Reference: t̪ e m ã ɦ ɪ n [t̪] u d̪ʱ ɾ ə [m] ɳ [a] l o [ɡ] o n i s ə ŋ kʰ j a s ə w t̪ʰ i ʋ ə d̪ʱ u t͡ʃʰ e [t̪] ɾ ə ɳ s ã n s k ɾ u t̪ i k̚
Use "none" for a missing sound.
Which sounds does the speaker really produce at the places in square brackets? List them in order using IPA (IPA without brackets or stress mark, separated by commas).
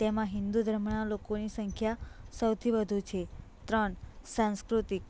d̪, m, a, k, t̪